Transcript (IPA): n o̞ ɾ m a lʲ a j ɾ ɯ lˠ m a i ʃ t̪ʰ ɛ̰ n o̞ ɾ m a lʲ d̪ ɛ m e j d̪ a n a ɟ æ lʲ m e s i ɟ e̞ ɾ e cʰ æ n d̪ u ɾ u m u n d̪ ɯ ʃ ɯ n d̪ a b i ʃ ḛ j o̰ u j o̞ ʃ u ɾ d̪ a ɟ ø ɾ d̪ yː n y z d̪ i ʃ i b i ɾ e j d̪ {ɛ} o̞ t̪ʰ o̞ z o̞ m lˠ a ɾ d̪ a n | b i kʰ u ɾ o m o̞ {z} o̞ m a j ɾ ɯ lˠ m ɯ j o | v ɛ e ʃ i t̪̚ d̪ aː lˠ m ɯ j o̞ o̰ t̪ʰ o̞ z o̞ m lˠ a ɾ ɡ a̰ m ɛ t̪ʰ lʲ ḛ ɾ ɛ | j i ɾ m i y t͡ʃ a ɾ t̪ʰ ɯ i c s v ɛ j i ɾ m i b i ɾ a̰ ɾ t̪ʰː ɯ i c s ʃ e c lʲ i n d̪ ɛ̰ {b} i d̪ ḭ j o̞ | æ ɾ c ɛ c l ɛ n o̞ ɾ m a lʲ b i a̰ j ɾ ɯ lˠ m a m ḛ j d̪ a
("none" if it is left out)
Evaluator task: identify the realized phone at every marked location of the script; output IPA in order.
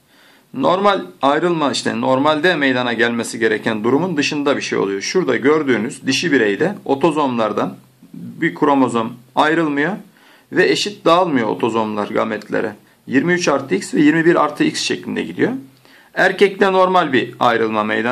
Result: ɛ, z, ɟ

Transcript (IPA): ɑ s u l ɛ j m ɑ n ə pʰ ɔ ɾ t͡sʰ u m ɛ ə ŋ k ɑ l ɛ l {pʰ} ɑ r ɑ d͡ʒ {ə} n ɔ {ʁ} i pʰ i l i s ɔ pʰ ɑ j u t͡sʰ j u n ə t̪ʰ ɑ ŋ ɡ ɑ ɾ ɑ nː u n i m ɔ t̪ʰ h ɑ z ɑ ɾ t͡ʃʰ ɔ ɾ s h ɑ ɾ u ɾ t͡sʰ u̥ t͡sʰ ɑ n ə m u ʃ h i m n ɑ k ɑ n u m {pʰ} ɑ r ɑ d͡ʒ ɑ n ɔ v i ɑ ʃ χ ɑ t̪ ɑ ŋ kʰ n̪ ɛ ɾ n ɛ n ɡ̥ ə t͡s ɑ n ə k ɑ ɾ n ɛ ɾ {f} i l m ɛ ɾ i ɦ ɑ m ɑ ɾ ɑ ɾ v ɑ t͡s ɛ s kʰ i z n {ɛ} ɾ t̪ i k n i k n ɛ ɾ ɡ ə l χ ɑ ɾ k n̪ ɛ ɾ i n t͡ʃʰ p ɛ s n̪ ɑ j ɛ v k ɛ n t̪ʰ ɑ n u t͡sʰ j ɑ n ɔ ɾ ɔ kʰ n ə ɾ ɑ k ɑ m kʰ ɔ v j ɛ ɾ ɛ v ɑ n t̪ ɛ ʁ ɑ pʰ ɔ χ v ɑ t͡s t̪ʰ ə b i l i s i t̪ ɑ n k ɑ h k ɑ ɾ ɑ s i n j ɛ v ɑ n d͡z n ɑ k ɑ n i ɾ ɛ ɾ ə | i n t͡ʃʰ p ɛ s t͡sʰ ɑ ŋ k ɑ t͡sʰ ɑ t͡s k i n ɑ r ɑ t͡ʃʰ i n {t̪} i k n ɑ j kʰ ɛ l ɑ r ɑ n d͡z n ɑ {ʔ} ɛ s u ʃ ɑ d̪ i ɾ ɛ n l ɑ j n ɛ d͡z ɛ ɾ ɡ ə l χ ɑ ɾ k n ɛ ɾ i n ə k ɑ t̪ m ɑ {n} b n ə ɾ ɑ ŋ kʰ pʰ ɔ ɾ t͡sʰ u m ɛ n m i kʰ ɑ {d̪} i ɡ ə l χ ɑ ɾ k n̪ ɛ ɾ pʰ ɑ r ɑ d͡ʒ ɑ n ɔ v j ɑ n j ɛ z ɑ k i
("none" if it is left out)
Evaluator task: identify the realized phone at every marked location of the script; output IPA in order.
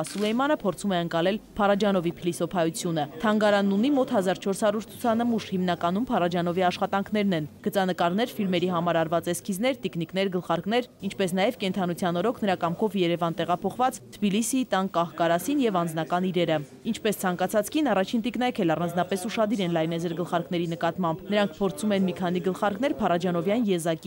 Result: pʰ, ɑ, v, pʰ, f, ɛ, t̪, p, m, n̪

